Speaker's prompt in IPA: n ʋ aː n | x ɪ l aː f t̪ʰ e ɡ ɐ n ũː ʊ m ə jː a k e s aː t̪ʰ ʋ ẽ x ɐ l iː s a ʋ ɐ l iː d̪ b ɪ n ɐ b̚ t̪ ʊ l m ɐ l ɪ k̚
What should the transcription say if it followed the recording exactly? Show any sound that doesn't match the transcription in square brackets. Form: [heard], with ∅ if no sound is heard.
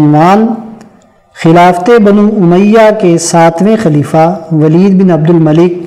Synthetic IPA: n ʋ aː n | x ɪ l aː f [t̪] e [b] ɐ n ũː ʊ m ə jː a k e s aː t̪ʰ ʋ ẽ x ɐ l iː [f] a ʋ ɐ l iː d̪ b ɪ n ɐ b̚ [d̪] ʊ l m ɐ l ɪ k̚